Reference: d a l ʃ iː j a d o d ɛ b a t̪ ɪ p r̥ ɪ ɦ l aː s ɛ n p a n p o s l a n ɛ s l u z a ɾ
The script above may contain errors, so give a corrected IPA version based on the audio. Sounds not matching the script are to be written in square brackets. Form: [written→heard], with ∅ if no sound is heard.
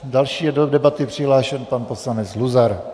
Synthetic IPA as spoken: d a l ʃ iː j [a→ɛ] d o d ɛ b a t̪ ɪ p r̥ ɪ ɦ l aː [s→ʃ] ɛ n p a n p o s l a n ɛ [s→t͡s] l u z a ɾ